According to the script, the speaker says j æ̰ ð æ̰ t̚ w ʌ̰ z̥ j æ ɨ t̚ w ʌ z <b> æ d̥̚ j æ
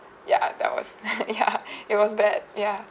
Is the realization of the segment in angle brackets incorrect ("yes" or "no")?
no